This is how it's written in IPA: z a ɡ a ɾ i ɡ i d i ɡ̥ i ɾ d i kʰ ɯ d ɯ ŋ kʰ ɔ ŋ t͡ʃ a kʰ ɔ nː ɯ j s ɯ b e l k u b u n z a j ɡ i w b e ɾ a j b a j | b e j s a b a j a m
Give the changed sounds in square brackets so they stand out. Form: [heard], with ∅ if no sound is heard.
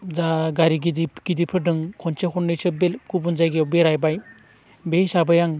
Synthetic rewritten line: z a ɡ a ɾ i ɡ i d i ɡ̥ i [∅] d i [pʰ] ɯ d ɯ ŋ kʰ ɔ [n] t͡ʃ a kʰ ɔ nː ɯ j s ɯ b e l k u b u n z a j ɡ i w b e ɾ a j b a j | b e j s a b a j a [ŋ]

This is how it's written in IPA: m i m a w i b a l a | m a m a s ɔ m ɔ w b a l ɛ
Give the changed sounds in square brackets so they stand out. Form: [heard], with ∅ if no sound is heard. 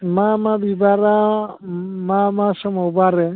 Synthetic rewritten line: m [a] m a [b] i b a [ɾ] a | m a m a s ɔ m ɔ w b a [ɾ] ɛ

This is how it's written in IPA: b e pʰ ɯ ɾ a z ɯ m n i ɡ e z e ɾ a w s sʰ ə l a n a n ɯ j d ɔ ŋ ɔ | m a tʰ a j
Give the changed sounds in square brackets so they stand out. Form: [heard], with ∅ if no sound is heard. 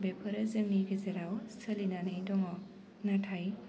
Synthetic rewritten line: b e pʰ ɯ ɾ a z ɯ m n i ɡ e z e ɾ a w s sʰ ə l [i] n a n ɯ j d ɔ ŋ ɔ | [n] a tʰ a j

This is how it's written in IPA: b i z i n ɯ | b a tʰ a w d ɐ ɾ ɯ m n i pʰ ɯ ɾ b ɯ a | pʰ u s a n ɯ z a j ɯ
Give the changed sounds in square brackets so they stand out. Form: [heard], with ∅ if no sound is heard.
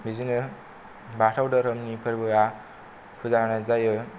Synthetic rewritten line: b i z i n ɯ | b a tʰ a w d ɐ ɾ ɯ m n i pʰ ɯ ɾ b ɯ a | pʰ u [z] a n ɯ z a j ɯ

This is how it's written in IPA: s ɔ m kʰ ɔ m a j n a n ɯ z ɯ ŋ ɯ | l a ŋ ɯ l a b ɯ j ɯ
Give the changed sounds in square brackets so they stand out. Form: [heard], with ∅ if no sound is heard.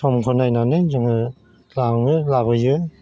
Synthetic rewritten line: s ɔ m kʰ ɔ [n] a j n a n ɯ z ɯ ŋ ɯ | l a ŋ ɯ l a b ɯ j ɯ

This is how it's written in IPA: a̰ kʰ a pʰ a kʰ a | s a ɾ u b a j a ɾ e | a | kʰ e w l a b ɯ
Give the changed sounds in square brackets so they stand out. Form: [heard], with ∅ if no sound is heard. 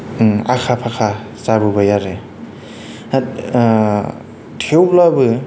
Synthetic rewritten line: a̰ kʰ a pʰ a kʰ a | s a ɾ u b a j a ɾ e | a | [tʰ] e w l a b ɯ

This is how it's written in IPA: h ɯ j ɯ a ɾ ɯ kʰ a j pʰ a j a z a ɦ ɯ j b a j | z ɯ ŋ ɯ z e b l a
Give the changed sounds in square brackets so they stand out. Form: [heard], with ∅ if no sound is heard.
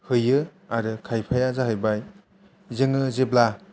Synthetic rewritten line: h ɯ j ɯ a ɾ ɯ kʰ a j pʰ a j a z a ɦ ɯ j b a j | z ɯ ŋ ɯ z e b l a

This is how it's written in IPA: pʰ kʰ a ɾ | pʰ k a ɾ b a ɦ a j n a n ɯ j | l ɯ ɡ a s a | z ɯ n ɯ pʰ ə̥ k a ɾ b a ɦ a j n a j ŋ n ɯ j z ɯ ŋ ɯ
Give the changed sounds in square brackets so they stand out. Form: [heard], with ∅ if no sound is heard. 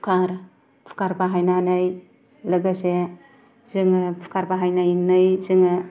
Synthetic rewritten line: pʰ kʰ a ɾ | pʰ k a ɾ b a ɦ a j n a n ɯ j | l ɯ ɡ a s [e] | z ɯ [ŋ] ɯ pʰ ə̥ k a ɾ b a ɦ a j n a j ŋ n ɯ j z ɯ ŋ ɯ

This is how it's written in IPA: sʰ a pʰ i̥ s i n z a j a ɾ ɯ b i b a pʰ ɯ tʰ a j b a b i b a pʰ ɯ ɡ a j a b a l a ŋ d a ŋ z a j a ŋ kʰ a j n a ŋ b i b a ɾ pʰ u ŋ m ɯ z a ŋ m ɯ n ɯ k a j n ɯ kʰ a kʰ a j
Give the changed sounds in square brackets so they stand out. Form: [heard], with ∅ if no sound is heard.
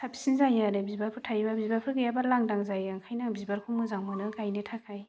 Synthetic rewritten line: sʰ a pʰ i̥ s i n z a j a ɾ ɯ b i b a pʰ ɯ tʰ a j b a b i b a pʰ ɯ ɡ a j a b a l a ŋ d a ŋ z a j a ŋ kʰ a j n a ŋ b i b a ɾ [kʰ] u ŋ m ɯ z a ŋ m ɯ n ɯ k a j n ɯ [tʰ] a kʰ a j

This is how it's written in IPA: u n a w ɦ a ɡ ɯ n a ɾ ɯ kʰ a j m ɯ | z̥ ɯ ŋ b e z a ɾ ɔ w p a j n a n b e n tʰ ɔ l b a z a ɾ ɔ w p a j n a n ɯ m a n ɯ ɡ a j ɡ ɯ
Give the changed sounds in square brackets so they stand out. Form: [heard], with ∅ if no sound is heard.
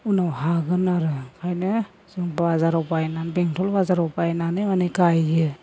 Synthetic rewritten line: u n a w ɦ a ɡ ɯ n a ɾ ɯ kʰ a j [n] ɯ | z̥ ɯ ŋ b [a] z a ɾ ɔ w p a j n a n b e [ŋ] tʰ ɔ l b a z a ɾ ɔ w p a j n a n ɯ m a n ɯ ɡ a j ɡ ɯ

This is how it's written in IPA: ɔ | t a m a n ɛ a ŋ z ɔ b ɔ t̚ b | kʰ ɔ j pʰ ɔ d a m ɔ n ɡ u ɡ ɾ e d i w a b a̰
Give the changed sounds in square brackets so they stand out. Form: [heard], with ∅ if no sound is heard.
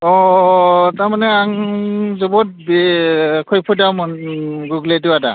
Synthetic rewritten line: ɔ | t a m a n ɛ a ŋ z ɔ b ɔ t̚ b | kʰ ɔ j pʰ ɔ d a m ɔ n ɡ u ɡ [l] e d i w a [d] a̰

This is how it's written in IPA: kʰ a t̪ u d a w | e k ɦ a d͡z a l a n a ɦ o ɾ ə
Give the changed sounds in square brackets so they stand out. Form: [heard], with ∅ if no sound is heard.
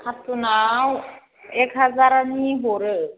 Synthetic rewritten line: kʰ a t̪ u [n] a w | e k ɦ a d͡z a [ɾ] a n [i] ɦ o ɾ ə

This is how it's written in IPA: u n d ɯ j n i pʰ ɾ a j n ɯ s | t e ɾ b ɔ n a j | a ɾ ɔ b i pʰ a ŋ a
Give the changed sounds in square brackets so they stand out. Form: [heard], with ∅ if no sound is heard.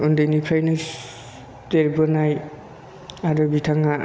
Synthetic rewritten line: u n d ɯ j n i pʰ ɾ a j n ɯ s | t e ɾ b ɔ n a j | a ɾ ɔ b i [tʰ] a ŋ a

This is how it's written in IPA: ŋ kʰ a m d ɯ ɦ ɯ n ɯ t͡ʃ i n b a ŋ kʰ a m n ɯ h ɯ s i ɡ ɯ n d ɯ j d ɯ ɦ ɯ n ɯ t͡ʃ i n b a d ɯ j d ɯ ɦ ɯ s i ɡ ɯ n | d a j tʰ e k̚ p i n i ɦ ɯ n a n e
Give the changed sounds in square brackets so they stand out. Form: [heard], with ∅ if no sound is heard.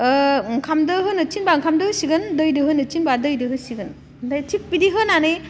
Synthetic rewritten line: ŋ kʰ a m d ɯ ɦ ɯ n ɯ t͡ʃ i n b a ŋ kʰ a m [d] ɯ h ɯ s i ɡ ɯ n d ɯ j d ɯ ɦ ɯ n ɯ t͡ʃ i n b a d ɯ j d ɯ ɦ ɯ s i ɡ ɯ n | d a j tʰ [i] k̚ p i [d] i ɦ ɯ n a n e

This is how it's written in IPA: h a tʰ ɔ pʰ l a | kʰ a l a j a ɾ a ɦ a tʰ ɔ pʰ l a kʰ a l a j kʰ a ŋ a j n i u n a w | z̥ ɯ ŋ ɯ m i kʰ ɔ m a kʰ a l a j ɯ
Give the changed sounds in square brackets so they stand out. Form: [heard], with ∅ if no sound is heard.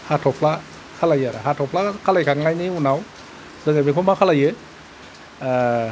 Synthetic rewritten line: h a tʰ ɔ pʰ l a | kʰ a l a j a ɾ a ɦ a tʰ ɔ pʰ l a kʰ a l a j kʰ a ŋ a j n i u n a w | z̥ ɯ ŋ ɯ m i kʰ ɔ m a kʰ a l a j ɯ

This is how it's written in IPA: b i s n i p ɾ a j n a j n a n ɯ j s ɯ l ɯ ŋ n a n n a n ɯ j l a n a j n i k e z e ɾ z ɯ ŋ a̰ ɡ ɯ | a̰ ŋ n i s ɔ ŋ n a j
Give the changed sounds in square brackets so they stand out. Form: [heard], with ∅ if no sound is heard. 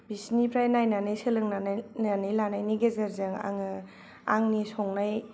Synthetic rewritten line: b i s n i p ɾ a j n a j n a n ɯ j s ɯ l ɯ ŋ n a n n a n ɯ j l a n a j n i [ɡ] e z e ɾ z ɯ ŋ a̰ [ŋ] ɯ | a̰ ŋ n i s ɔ ŋ n a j

